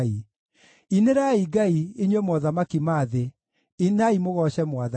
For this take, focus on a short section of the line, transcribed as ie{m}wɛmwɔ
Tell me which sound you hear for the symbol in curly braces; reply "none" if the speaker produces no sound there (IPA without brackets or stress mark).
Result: ɲ